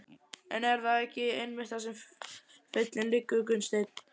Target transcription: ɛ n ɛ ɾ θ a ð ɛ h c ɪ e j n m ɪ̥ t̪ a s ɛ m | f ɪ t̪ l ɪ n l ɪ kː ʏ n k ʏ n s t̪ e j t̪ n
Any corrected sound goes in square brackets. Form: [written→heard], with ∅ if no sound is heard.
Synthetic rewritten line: ɛ n ɛ ɾ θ a ð ɛ h c ɪ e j n m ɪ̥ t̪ a s ɛ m | f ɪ t̪ l ɪ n l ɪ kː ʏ [n→∅] k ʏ n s t̪ e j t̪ n